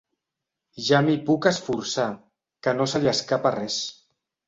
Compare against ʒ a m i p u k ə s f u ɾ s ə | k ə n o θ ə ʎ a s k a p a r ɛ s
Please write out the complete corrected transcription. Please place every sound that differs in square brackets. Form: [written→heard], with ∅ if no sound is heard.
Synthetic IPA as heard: ʒ a m i p u k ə s f u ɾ s [ə→a] | k ə n o [θ→s] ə ʎ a s k a p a r ɛ s